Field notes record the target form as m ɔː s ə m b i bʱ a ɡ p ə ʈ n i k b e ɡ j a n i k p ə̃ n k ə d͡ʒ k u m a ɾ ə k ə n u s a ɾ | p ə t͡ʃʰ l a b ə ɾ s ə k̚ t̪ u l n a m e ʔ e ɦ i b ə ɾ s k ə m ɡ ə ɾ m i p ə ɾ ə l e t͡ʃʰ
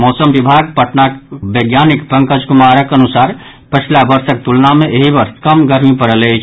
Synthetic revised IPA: m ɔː s ə m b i bʱ a ɡ p ə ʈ n a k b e ɡ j a n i k p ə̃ ŋ k ə d͡ʒ k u m a ɾ ə k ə n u s a ɾ | p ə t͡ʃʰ l a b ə ɾ s ə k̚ t̪ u l n a m e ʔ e ɦ i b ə ɾ s k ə m ɡ ə ɾ m i p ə ɾ ə l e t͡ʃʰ